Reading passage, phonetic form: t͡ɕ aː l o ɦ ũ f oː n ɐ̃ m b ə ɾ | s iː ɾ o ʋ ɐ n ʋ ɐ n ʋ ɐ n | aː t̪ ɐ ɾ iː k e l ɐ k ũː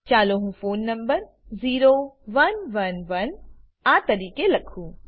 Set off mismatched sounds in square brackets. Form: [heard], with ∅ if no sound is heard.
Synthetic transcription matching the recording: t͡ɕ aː l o ɦ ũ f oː [nː] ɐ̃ m b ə ɾ | [z] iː ɾ o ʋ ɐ n ʋ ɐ n ʋ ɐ n | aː t̪ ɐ ɾ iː k e l ɐ [kʰ] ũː